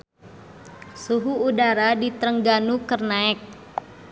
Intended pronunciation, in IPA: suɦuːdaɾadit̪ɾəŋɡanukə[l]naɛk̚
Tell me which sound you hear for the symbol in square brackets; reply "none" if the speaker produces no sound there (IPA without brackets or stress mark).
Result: r